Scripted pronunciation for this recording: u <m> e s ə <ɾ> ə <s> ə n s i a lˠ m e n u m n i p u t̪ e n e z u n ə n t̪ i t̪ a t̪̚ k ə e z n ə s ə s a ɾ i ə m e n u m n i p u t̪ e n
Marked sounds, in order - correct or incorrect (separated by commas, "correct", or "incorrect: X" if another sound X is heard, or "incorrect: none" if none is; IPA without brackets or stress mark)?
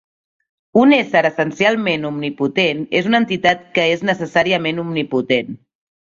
incorrect: n, correct, correct